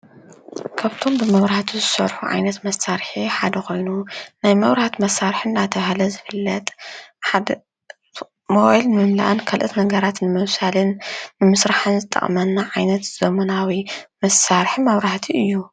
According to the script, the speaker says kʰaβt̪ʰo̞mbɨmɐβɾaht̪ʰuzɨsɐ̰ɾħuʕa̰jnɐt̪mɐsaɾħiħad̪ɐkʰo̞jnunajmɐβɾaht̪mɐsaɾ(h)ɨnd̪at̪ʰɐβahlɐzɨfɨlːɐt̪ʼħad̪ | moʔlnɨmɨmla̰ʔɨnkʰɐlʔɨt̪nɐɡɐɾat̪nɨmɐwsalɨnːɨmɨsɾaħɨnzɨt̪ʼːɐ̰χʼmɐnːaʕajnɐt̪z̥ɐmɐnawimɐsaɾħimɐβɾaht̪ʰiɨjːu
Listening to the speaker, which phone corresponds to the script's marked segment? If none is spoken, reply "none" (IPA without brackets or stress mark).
ħ